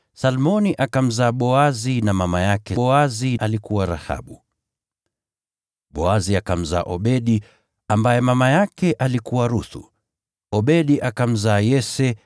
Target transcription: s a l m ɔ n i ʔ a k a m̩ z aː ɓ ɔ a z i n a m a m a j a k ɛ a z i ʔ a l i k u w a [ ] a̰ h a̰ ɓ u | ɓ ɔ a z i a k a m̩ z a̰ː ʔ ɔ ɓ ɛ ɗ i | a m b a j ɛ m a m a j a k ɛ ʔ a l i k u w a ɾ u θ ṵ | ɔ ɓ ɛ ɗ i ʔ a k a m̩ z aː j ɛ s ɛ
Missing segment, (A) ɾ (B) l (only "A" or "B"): A